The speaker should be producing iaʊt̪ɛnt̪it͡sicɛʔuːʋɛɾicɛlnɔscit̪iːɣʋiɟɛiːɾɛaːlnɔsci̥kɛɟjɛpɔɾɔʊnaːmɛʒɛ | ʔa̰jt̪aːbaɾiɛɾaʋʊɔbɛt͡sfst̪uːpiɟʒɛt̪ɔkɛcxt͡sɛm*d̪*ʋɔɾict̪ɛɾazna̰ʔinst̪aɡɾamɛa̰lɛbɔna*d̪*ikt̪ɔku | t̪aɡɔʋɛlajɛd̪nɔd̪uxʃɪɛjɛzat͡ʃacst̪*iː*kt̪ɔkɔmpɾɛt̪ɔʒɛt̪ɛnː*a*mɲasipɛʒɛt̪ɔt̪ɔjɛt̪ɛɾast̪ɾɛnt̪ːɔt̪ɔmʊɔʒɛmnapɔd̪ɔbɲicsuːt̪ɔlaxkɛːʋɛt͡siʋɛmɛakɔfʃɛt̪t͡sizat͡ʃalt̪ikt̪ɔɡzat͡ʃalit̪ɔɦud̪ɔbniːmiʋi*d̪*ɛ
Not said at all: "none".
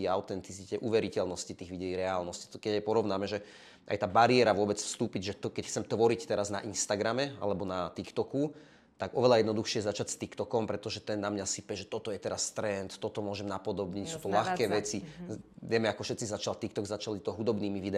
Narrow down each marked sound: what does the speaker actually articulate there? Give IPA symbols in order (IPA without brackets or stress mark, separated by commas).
t̪, t̪, i, a, d̪